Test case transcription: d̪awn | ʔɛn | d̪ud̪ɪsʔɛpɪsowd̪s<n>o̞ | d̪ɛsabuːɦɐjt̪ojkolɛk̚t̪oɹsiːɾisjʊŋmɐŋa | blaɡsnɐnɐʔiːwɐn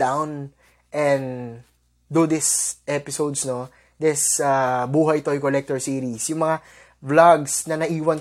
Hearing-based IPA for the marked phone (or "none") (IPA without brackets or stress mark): n